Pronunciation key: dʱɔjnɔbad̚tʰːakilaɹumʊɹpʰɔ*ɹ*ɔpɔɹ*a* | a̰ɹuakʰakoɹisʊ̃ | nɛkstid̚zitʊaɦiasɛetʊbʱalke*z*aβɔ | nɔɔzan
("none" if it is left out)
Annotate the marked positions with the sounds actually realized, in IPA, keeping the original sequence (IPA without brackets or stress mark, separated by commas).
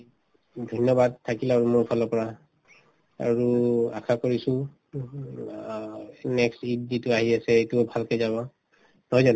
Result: l, a, z